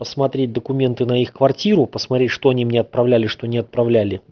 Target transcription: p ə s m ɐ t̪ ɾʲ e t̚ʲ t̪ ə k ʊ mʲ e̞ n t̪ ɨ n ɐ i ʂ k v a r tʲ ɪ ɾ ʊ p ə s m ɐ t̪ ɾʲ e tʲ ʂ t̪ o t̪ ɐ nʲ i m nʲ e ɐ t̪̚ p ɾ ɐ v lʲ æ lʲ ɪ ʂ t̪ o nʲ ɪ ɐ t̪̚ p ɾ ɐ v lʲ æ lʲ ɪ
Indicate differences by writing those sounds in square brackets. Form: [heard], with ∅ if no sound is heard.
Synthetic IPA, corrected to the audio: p ə s m ɐ t̪ ɾʲ e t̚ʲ [d̪] ə k ʊ mʲ e̞ n t̪ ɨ n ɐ i [x] k v [ɐ] r tʲ [i] ɾ ʊ p ə s m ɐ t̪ ɾʲ e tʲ ʂ t̪ o [∅] ɐ nʲ i m nʲ e ɐ t̪̚ p ɾ ɐ v lʲ æ lʲ ɪ ʂ t̪ o nʲ ɪ ɐ t̪̚ p ɾ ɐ v lʲ æ lʲ ɪ